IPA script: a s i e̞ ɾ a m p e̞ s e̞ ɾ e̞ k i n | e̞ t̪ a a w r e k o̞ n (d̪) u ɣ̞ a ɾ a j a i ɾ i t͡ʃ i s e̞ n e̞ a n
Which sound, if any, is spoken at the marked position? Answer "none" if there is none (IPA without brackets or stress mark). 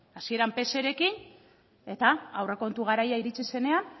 t̪